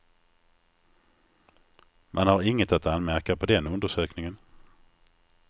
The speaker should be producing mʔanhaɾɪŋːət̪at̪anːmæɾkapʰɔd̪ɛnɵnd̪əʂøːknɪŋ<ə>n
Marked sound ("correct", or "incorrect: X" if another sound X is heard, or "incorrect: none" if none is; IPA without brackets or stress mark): correct